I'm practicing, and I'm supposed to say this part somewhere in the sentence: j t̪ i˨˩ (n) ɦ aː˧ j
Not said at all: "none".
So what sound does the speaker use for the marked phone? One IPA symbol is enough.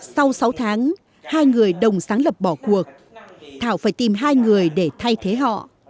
m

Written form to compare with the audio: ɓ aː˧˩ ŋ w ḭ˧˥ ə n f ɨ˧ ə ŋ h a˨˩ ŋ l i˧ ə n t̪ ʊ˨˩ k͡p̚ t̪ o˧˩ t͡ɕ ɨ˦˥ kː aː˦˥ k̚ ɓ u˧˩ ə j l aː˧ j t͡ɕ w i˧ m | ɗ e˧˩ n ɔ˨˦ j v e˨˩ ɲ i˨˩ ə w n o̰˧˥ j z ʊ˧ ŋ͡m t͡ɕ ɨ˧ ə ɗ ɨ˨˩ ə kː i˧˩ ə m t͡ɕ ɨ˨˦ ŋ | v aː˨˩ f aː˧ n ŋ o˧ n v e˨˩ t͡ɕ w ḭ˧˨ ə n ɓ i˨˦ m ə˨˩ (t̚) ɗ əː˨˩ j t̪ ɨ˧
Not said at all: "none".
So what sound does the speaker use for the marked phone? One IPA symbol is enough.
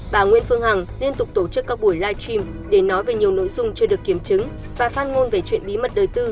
t̚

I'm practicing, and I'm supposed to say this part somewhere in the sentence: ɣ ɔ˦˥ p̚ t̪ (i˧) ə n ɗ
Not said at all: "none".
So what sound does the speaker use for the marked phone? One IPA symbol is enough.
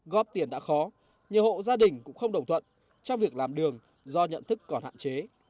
i˧˩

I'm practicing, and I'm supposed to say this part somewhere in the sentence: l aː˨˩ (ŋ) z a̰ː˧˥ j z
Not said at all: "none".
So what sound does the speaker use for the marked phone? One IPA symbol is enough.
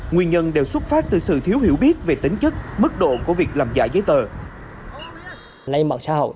m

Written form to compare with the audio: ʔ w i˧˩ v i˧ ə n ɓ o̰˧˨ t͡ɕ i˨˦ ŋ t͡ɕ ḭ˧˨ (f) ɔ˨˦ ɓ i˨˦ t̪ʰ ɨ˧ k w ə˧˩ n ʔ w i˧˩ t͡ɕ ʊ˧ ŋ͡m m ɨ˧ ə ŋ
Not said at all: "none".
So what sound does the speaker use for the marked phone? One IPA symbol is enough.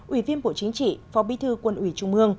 f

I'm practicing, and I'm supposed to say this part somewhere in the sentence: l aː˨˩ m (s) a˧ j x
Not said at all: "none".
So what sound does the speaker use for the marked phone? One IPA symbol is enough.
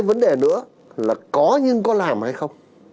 h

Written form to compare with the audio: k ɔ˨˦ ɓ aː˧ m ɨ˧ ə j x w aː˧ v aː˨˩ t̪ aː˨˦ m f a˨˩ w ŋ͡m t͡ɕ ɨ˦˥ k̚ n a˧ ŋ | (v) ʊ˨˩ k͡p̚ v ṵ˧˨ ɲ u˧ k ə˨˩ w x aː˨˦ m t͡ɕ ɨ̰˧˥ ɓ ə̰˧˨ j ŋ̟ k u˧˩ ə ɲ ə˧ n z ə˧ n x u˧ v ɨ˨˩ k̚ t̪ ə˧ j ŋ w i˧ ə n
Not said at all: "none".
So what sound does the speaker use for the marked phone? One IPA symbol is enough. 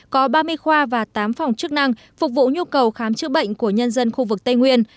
f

